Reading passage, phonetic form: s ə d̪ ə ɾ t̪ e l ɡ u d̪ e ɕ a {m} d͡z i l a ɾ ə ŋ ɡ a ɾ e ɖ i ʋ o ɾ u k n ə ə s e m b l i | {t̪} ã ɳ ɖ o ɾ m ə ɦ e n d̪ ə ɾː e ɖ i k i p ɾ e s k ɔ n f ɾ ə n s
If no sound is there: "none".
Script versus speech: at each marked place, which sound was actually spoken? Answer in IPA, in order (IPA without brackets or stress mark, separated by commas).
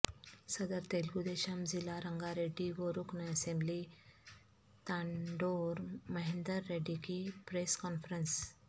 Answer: m, t̪